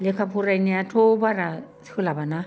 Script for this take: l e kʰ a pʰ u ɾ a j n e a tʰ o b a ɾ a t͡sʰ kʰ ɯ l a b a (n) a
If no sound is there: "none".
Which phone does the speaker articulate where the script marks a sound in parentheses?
n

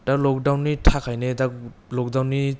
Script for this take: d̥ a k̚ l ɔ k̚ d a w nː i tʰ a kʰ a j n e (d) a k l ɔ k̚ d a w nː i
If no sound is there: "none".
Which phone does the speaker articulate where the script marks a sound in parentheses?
d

